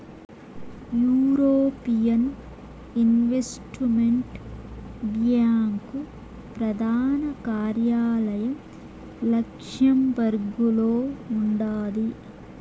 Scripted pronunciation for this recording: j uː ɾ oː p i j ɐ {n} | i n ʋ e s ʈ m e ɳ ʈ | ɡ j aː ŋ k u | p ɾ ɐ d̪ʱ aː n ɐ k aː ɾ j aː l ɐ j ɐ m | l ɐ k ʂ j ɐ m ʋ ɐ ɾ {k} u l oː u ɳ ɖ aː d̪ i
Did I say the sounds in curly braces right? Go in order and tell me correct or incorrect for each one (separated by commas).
correct, incorrect